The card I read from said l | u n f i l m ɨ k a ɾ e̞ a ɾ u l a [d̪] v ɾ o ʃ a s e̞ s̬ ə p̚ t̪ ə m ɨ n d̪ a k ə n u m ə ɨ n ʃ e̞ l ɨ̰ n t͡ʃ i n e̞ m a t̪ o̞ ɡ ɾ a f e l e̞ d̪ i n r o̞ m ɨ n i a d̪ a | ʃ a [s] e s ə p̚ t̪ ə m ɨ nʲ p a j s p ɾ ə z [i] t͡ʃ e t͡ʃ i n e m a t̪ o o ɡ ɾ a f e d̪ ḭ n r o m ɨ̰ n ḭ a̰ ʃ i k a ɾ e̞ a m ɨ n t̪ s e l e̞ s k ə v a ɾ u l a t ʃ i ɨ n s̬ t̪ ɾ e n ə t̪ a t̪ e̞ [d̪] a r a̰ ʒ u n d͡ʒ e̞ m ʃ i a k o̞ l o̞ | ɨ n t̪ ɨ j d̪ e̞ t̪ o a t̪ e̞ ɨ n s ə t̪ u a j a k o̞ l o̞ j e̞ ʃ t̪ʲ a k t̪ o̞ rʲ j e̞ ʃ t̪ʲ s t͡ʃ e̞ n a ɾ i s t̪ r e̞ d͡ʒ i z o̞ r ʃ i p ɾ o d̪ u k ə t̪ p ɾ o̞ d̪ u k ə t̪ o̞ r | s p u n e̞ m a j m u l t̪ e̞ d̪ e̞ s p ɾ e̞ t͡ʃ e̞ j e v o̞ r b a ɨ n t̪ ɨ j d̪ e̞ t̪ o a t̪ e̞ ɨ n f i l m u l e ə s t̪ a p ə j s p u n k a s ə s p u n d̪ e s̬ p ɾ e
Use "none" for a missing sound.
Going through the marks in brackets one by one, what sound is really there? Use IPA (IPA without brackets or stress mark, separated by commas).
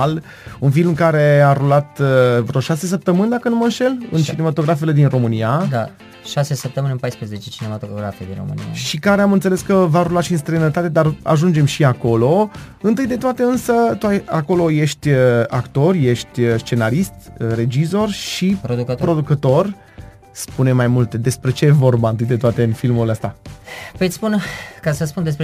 t̪, s, e, d̪